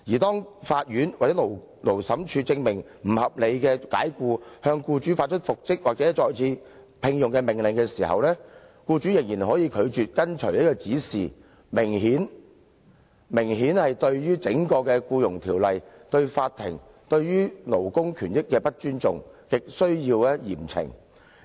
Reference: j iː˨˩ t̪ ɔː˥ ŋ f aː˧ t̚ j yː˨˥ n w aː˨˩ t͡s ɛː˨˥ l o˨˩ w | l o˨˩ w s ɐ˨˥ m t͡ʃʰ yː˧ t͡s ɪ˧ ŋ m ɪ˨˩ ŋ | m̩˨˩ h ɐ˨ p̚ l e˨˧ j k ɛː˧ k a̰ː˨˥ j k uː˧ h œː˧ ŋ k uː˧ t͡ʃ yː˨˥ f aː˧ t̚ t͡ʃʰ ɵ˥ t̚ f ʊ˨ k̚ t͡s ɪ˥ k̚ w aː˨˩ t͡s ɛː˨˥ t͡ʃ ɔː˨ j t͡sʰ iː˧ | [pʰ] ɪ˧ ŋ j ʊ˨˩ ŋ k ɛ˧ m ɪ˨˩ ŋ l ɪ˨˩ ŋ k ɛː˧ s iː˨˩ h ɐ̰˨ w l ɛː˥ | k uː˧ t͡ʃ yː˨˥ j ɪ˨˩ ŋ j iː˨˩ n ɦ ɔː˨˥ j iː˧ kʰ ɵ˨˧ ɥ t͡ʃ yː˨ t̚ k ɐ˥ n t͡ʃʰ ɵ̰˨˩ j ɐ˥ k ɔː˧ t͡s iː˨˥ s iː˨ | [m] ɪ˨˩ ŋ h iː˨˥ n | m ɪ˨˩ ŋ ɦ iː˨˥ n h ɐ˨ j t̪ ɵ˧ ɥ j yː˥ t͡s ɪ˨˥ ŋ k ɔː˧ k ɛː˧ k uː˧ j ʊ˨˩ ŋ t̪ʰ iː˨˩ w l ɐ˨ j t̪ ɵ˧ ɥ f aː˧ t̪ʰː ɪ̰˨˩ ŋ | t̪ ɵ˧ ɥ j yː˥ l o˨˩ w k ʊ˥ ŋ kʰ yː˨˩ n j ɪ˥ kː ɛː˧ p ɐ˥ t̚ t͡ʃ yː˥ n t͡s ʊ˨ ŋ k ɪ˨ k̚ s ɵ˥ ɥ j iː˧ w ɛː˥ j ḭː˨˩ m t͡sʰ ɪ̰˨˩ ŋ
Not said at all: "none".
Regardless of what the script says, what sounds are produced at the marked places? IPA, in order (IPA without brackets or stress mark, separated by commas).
pʰ, m